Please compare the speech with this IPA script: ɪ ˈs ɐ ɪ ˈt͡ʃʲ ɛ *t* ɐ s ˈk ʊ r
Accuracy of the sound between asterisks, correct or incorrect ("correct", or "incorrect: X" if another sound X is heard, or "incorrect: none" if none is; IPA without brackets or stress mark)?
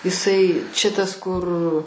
correct